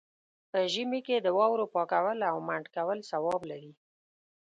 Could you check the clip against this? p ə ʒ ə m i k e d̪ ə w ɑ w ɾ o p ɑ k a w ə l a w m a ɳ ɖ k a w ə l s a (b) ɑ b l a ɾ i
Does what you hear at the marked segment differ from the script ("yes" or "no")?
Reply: yes